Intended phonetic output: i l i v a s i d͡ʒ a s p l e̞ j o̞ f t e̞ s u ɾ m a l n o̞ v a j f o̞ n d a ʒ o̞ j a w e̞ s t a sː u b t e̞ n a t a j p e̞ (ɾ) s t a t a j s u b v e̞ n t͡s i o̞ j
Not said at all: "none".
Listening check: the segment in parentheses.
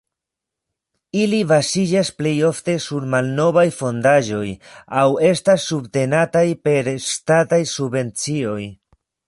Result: ɾ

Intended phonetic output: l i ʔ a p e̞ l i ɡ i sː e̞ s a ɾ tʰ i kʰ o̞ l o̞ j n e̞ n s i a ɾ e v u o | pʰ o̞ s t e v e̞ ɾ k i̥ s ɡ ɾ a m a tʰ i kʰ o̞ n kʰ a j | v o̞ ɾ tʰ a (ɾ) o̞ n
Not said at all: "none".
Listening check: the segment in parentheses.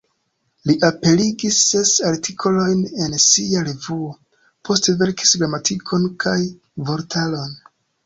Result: l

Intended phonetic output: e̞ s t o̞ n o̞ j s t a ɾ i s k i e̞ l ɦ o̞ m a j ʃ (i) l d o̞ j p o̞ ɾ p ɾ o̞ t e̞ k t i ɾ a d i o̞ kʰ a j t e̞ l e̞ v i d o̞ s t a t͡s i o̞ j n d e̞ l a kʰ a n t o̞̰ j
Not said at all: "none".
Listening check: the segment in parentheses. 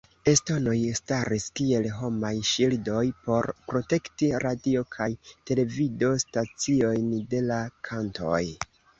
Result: i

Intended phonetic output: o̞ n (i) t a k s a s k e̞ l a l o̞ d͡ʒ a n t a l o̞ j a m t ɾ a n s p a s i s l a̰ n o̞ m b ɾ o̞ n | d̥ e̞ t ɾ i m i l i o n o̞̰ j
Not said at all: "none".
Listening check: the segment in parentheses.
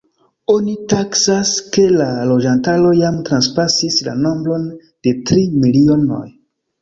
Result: i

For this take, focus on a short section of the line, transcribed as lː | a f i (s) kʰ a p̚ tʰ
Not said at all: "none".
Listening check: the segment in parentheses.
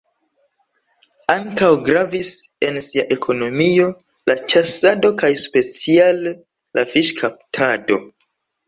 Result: ʃ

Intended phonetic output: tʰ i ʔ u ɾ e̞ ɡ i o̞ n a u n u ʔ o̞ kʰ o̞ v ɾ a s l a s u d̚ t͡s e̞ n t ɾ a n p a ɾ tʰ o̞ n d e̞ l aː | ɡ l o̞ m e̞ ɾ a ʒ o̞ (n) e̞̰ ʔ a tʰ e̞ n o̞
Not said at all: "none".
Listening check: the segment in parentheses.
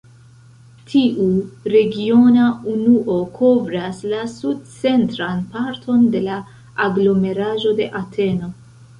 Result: d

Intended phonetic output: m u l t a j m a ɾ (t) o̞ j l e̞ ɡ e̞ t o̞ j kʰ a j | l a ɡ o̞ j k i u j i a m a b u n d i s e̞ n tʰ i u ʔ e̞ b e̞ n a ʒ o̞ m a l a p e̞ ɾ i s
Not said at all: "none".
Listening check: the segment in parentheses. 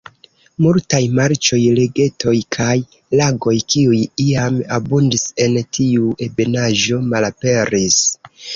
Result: t͡ʃ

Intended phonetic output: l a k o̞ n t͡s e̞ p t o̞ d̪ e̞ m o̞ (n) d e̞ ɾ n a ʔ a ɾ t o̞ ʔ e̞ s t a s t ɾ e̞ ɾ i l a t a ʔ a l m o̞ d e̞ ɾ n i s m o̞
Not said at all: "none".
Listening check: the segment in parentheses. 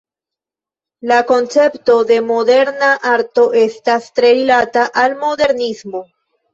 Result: none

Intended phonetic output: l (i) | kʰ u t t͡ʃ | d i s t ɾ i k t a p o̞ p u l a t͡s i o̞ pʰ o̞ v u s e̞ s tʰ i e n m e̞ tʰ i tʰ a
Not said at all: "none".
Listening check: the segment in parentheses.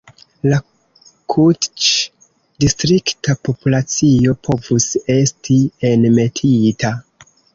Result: a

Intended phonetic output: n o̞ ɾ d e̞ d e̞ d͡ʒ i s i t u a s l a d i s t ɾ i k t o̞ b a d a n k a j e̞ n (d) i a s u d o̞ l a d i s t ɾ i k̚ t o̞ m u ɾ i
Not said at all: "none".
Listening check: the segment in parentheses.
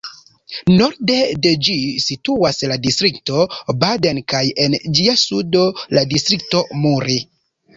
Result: d͡ʒ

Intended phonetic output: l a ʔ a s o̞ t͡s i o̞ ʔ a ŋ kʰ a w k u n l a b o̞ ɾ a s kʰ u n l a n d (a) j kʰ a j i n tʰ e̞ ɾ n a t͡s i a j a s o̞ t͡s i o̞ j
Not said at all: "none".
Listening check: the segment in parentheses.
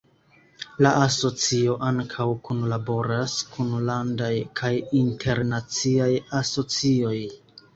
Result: a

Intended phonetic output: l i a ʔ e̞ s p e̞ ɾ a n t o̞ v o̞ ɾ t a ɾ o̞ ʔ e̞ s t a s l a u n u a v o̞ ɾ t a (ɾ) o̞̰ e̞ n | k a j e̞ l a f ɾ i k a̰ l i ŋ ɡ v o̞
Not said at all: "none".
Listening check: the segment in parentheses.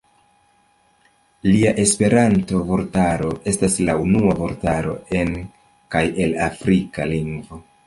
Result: ɾ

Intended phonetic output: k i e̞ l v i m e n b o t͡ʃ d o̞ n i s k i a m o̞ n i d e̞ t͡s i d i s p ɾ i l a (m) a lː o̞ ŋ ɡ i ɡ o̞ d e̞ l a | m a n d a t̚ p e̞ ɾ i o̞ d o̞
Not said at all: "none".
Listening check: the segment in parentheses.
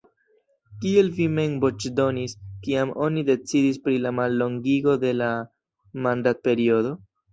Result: m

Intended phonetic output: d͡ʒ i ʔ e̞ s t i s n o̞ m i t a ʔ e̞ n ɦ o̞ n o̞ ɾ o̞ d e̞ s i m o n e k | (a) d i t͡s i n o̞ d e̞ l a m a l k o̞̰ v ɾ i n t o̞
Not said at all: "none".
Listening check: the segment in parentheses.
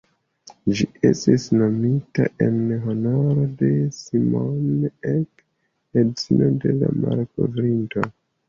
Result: e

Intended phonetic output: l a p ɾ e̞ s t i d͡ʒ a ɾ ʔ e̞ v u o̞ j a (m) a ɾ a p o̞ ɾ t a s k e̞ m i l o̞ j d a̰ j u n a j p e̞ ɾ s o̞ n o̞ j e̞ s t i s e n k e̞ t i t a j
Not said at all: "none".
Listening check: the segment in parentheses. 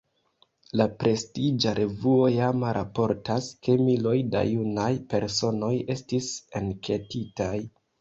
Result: m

